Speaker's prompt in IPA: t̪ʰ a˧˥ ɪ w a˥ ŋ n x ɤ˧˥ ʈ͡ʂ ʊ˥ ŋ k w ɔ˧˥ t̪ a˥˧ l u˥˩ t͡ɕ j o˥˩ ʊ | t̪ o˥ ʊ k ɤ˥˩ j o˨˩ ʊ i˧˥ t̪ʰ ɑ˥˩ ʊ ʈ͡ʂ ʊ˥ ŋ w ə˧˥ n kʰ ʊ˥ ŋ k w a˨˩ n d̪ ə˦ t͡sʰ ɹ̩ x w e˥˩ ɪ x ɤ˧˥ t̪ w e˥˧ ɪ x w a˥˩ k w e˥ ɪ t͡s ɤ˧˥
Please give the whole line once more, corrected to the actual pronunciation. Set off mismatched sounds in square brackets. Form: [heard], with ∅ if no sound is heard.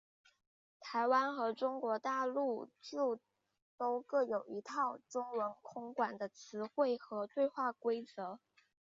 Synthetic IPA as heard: t̪ʰ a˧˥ ɪ w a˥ [∅] n x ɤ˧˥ ʈ͡ʂ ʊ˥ ŋ k w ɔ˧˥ t̪ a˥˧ l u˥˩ t͡ɕ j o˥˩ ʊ | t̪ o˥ ʊ k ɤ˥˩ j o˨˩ ʊ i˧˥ t̪ʰ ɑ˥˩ ʊ ʈ͡ʂ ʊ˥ ŋ w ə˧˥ n kʰ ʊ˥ ŋ k w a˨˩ n d̪ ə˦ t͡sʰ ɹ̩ x w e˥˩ ɪ x ɤ˧˥ t̪ w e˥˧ ɪ x w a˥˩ k w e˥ ɪ t͡s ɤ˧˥

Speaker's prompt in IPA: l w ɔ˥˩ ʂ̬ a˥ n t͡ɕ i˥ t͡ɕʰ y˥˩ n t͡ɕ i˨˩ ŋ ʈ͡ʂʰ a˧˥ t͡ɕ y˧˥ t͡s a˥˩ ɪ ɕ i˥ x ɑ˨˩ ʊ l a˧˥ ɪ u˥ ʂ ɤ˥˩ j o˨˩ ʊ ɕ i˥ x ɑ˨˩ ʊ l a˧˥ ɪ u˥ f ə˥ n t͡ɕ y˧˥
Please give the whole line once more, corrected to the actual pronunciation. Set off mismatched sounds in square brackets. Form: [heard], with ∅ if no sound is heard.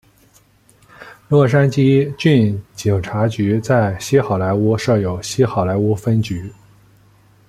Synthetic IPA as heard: l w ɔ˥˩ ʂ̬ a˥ n t͡ɕ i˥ [t͡ɕ] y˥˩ n t͡ɕ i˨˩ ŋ ʈ͡ʂʰ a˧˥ t͡ɕ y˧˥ t͡s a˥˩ ɪ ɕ i˥ x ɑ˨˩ ʊ l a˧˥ ɪ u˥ ʂ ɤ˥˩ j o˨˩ ʊ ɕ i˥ x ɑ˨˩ ʊ l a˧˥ ɪ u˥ f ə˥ n t͡ɕ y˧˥

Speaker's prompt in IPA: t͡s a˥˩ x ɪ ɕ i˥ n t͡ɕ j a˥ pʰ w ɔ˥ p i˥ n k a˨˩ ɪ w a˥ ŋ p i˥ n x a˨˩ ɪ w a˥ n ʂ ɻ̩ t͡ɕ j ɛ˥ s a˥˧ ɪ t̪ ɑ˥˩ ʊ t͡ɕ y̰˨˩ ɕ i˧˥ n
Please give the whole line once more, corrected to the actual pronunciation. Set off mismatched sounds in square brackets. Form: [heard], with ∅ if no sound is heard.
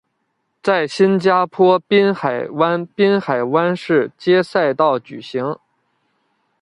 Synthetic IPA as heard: t͡s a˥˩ [∅] ɪ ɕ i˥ n t͡ɕ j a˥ pʰ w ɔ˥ p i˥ n [x] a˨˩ ɪ w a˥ [n] p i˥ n x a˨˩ ɪ w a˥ n ʂ ɻ̩ t͡ɕ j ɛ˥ s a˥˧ ɪ t̪ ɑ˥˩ ʊ t͡ɕ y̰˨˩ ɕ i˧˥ [ŋ]

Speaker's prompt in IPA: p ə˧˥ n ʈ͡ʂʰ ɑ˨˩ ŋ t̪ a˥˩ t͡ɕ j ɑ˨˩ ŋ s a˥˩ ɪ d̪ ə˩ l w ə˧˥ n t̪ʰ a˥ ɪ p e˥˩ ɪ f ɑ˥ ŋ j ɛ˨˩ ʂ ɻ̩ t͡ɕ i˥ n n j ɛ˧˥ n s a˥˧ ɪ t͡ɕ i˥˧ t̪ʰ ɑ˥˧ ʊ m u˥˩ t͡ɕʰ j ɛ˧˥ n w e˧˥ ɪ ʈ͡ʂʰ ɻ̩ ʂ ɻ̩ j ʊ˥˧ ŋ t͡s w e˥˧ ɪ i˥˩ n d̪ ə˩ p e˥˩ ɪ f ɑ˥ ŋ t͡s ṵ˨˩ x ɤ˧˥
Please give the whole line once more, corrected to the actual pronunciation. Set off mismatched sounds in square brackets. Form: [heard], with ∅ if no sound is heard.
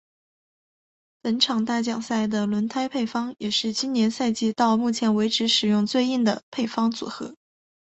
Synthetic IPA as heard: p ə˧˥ n ʈ͡ʂʰ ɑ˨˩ ŋ t̪ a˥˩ t͡ɕ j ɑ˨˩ ŋ s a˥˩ ɪ d̪ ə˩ l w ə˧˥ n t̪ʰ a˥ ɪ [pʰ] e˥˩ ɪ f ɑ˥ ŋ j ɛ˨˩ ʂ ɻ̩ t͡ɕ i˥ n n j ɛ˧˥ n s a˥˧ ɪ t͡ɕ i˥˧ [t̪] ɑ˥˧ ʊ m u˥˩ t͡ɕʰ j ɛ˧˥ n w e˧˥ ɪ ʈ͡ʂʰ ɻ̩ ʂ ɻ̩ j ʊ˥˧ ŋ t͡s w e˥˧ ɪ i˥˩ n d̪ ə˩ [pʰ] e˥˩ ɪ f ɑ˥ ŋ t͡s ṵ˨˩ x ɤ˧˥

